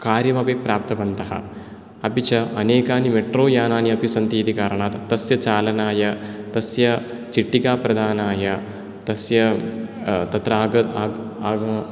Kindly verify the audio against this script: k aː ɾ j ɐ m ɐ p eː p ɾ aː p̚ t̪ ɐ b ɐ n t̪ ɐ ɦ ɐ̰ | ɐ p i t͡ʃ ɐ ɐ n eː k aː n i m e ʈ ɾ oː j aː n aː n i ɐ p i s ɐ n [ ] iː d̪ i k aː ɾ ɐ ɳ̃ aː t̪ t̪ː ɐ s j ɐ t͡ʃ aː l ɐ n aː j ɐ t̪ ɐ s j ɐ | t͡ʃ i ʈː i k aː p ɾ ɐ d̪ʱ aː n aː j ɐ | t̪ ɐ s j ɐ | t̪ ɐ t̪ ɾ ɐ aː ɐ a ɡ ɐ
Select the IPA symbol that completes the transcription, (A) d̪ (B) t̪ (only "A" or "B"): B